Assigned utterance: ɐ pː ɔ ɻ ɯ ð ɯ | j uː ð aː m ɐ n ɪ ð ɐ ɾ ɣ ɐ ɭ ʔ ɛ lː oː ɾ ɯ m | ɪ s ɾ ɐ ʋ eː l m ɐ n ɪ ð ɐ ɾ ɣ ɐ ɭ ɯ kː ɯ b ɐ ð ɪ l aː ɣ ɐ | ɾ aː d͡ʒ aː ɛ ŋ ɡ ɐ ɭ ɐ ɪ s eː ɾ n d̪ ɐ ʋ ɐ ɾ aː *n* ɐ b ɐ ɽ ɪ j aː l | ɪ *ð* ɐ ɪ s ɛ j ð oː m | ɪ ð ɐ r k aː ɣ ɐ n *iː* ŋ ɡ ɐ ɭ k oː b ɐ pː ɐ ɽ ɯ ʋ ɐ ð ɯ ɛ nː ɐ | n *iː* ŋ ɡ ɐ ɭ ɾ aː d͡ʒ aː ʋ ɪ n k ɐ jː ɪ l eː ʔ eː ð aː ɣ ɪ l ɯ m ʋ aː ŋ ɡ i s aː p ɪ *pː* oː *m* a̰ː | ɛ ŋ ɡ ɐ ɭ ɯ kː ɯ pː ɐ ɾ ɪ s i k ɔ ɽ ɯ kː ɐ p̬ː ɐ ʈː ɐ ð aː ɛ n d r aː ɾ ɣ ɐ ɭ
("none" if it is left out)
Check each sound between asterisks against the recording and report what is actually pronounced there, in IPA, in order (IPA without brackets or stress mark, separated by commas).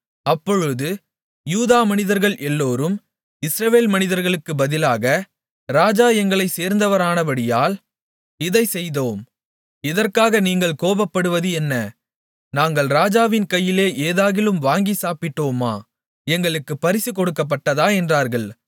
n, ð, iː, aː, ʈː, m